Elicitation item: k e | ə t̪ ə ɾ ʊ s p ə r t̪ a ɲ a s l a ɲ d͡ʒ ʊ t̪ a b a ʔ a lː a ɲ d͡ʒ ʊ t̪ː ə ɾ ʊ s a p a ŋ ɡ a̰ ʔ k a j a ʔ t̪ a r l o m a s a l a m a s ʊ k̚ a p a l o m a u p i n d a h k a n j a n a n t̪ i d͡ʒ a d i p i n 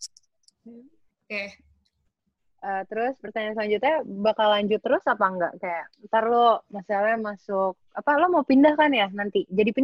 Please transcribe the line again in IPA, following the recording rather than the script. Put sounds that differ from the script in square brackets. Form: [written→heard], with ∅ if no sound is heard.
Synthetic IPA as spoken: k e | ə t̪ ə ɾ ʊ s p ə r t̪ a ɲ a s l a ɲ d͡ʒ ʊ t̪ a b a [ʔ→k] a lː a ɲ d͡ʒ ʊ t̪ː ə ɾ ʊ s a p a ŋ ɡ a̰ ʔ k a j a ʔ t̪ a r l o m a s a l a m a s ʊ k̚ a p a l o m a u p i n d a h k a n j a n a n t̪ i d͡ʒ a d i p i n